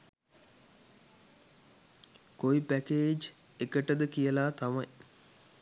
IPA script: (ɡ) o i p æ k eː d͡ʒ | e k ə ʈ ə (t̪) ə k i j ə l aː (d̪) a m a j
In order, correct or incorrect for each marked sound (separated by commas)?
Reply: incorrect, incorrect, incorrect